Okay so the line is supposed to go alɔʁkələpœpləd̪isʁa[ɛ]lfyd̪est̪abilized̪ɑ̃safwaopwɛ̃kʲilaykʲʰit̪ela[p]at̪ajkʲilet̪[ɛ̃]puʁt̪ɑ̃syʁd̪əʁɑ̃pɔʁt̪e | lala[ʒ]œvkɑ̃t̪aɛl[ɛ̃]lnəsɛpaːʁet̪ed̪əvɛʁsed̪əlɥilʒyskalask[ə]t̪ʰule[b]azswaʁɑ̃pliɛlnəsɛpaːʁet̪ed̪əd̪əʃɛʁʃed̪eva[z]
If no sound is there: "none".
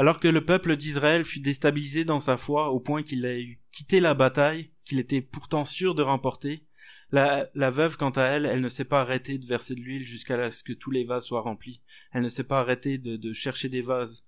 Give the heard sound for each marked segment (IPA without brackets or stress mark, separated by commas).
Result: ɛ, b, ɛ, v, ɛ, ə, v, z